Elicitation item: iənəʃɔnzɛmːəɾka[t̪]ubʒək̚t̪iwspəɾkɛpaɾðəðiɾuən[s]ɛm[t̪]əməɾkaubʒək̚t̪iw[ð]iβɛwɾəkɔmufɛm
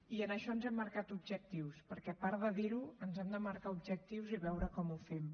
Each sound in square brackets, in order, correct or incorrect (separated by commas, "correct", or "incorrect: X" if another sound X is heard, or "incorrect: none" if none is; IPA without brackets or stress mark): correct, incorrect: z, incorrect: d̪, incorrect: z